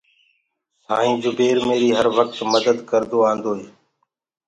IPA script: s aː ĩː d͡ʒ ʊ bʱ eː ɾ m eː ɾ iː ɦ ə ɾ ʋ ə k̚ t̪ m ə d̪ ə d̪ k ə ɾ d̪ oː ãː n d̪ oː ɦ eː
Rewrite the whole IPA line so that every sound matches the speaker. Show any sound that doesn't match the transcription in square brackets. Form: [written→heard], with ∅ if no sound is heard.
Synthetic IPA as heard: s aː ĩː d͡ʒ ʊ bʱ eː ɾ m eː ɾ iː ɦ ə ɾ ʋ ə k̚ t̪ m ə d̪ ə d̪ k ə ɾ d̪ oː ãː n d̪ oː ɦ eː